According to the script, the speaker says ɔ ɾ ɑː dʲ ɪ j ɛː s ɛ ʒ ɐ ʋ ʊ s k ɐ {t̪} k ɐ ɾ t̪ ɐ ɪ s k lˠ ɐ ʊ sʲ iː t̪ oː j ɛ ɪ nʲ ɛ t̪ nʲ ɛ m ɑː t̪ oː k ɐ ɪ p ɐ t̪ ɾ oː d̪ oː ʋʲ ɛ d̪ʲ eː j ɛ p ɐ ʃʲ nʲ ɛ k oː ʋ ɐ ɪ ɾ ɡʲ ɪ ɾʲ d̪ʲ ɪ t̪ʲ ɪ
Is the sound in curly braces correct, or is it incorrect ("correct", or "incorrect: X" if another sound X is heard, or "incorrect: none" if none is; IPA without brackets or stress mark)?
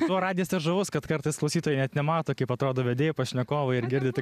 correct